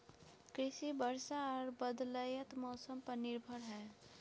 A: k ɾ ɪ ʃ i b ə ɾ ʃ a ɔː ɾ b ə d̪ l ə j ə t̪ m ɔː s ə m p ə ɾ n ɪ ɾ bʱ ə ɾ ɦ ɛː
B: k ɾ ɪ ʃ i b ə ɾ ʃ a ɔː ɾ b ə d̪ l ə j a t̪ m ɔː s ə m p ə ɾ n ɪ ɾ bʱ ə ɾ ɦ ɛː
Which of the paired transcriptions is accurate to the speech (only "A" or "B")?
A